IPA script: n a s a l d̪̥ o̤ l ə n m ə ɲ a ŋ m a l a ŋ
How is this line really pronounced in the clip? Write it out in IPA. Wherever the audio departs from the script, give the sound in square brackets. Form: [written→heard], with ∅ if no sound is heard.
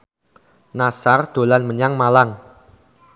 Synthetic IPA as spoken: n a s a [l→r] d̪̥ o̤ l [ə→a] n m ə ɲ a ŋ m a l a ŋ

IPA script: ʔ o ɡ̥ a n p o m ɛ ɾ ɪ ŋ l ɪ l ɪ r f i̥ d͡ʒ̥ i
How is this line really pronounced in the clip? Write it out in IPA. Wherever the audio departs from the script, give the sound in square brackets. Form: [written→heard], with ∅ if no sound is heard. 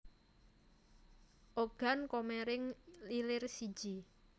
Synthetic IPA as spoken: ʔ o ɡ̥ a n [p→k] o m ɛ ɾ ɪ ŋ l [ɪ→i] l ɪ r [f→s] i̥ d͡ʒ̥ i

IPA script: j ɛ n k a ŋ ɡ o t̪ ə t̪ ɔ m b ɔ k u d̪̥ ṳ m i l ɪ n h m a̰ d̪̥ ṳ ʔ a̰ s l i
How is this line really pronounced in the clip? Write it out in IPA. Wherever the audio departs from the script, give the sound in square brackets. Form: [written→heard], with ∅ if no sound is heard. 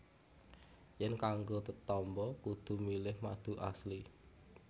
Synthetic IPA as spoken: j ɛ n k a ŋ ɡ o t̪ ə t̪ ɔ m b ɔ k u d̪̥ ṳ m i l ɪ [n→∅] h m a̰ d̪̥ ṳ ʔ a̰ s l i

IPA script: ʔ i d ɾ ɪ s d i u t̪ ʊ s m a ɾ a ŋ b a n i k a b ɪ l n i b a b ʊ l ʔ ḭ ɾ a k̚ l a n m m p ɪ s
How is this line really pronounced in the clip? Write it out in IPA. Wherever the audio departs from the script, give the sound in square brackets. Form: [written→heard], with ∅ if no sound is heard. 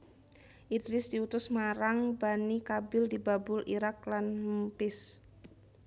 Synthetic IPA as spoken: ʔ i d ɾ ɪ s d i u t̪ ʊ s m a ɾ a ŋ b a n i k a b ɪ l [n→d] i b a b ʊ l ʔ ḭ ɾ a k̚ l a n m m p ɪ s

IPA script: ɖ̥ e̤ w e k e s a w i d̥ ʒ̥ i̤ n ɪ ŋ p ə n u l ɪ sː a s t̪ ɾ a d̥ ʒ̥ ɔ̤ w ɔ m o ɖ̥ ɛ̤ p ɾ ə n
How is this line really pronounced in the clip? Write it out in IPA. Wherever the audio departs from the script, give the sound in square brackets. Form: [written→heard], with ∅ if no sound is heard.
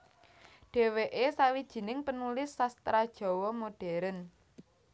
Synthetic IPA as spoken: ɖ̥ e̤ w e [k→ʔ] e s a w i d̥ ʒ̥ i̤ n ɪ ŋ p ə n u l ɪ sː a s t̪ ɾ a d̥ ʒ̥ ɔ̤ w ɔ m o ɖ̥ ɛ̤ [p→∅] ɾ ə n

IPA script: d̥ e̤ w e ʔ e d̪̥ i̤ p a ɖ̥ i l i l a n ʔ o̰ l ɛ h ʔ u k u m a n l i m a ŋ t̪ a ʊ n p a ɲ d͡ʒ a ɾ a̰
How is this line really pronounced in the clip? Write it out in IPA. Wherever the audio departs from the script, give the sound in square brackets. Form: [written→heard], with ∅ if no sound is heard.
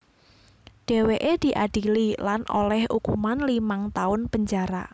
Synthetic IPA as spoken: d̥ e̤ w e ʔ e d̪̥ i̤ [p→ʔ] a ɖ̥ i l i l a n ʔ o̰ l ɛ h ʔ u k u m a n l i m a ŋ t̪ a ʊ n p [a→ə] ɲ d͡ʒ a ɾ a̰

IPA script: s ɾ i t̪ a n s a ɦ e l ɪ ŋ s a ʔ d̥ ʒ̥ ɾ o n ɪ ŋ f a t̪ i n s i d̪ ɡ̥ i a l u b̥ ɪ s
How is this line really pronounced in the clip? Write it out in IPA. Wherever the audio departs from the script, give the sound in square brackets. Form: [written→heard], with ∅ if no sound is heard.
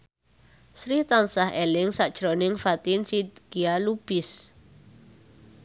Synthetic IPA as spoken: s ɾ i t̪ a n s a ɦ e l ɪ ŋ s a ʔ d̥ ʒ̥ ɾ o n ɪ ŋ f a t̪ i n s i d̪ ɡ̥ i a l u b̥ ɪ s

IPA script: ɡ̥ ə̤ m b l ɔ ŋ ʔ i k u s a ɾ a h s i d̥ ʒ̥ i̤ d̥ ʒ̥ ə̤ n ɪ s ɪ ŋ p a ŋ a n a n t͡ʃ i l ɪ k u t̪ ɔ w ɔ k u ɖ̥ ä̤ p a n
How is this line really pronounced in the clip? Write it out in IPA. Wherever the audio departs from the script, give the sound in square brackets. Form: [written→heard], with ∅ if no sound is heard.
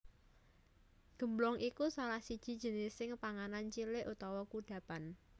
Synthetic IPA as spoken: ɡ̥ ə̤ m b l ɔ ŋ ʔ i k u s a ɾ a h s i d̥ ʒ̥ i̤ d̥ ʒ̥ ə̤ n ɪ s ɪ ŋ p a ŋ a n a n t͡ʃ i l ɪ [k→ʔ] u t̪ ɔ w ɔ k u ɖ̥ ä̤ p a n

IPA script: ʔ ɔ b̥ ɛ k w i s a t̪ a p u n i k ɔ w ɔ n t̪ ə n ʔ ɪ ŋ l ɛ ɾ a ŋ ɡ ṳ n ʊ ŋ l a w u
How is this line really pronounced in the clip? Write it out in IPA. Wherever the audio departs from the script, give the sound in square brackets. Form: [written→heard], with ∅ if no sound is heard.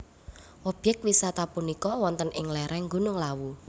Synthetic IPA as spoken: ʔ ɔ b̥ ɛ k w i s a t̪ a p u n i k ɔ w ɔ n t̪ ə n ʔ ɪ ŋ l ɛ ɾ [a→ɛ] ŋ ɡ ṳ n ʊ ŋ l a w u

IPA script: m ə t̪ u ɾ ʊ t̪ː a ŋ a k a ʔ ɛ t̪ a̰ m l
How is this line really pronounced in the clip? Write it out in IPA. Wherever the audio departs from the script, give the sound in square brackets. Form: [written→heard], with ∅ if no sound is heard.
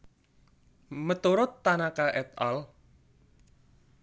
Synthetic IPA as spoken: m ə t̪ u ɾ ʊ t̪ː a [ŋ→n] a k a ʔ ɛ t̪ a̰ [m→∅] l

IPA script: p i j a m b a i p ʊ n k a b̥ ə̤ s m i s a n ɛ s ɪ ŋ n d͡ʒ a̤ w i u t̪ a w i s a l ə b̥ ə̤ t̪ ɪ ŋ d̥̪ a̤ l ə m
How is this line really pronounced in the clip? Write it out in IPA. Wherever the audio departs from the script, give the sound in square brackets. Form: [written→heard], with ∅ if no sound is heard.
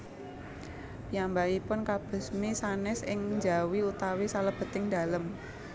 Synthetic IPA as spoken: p i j a m b a i p ʊ n k a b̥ ə̤ s m i s a n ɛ s ɪ ŋ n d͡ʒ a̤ w i u t̪ a w i s a l ə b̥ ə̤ t̪ ɪ ŋ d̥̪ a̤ l ə m

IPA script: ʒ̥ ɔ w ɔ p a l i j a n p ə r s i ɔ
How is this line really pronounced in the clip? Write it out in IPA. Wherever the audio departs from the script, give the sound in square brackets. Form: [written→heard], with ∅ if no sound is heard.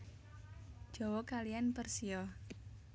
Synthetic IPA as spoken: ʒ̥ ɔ w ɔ [p→k] a l i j a n p ə r s i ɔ

